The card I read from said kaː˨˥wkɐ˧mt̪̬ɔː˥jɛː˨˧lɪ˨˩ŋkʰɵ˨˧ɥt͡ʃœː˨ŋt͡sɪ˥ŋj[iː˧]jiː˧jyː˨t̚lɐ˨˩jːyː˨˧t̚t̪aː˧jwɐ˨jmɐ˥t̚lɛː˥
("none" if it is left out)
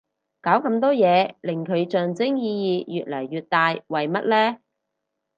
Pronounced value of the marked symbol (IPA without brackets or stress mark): iː˧